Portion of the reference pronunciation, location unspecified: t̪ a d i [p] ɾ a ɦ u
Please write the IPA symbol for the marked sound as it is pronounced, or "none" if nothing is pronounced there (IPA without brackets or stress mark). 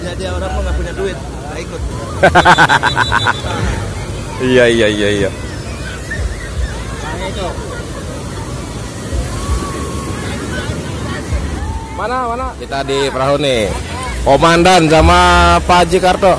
p